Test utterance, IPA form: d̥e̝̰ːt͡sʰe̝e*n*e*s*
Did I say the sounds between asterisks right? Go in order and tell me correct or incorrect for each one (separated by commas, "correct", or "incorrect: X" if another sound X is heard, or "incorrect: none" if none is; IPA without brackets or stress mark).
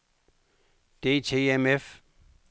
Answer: incorrect: m, incorrect: f